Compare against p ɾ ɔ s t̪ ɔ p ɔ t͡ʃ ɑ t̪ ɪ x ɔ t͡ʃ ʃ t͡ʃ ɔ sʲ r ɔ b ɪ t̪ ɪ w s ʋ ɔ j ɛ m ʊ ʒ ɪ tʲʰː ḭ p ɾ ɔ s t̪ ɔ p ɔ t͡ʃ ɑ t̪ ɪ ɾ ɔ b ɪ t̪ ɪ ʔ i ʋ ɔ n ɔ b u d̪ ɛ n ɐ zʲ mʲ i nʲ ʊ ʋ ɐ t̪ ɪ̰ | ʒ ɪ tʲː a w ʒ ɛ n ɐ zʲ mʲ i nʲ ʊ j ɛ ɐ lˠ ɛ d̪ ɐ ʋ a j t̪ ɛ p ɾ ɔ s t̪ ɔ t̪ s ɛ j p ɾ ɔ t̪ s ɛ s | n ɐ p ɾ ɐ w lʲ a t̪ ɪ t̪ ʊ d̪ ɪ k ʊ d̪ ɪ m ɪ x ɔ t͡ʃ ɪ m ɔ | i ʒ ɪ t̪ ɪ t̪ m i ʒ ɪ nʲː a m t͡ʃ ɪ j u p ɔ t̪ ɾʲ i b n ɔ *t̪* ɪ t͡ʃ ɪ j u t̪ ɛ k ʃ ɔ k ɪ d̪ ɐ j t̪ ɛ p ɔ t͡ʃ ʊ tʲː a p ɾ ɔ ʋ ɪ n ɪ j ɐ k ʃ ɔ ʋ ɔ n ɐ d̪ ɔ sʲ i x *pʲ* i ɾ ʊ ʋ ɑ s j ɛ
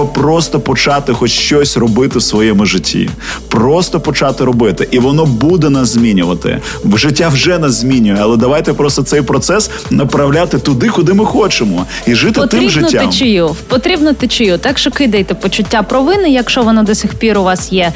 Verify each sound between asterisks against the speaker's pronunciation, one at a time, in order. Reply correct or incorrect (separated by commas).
correct, correct